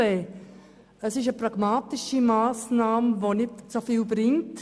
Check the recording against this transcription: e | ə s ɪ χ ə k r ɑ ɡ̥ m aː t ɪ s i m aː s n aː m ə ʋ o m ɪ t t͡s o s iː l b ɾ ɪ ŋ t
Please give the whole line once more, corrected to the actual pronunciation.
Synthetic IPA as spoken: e | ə s ɪ ʃ ə p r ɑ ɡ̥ m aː t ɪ ʃ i m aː s n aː m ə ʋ o n ɪ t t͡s o f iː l b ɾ ɪ ŋ t